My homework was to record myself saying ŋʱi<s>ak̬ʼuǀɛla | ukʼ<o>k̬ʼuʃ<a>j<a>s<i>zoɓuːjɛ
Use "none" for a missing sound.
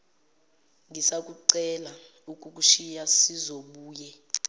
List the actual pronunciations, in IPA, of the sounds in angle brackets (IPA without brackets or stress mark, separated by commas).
s, u, i, a, i